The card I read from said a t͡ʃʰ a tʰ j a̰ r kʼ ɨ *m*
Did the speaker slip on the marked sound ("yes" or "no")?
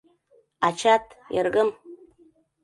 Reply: no